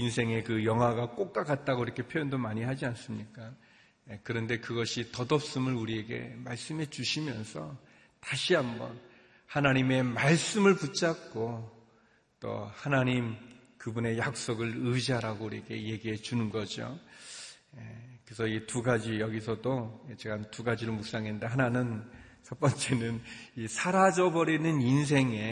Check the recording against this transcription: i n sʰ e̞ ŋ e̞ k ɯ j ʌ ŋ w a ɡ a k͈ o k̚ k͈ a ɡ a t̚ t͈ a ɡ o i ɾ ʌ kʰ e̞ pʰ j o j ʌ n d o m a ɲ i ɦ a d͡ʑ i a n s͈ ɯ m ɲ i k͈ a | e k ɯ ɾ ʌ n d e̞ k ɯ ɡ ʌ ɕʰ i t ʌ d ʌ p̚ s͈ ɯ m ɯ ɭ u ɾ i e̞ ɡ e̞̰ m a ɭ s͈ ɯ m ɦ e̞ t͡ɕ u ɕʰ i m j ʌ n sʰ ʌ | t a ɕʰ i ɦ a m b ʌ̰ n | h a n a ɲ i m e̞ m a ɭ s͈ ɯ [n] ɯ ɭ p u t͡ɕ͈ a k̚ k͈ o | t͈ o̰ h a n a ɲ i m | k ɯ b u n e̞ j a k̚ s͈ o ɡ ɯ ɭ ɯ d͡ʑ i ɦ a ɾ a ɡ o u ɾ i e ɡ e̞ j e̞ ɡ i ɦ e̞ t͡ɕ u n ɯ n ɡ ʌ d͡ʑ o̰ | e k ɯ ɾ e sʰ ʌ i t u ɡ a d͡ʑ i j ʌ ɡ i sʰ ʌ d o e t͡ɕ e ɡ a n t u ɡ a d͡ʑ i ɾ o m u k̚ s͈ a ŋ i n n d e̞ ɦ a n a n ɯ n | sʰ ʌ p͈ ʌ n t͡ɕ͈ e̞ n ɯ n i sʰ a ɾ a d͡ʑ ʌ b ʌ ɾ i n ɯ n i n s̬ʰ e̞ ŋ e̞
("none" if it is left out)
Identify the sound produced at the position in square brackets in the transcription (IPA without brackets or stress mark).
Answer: m